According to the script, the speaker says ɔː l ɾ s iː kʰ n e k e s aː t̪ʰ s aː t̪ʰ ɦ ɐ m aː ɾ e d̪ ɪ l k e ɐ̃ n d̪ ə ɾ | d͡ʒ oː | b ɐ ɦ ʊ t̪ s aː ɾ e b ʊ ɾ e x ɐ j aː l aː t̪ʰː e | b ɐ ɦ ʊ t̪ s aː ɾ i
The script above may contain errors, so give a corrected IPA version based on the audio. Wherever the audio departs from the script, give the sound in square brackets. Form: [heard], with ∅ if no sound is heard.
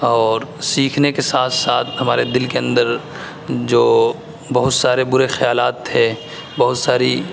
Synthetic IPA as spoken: ɔː [∅] ɾ s iː kʰ n e k e s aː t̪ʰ s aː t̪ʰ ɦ ɐ m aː ɾ e d̪ ɪ l k e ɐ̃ n d̪ ə ɾ | d͡ʒ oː | b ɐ ɦ ʊ t̪ s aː ɾ e b ʊ ɾ e x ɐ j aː l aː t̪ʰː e | b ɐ ɦ ʊ t̪ s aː ɾ i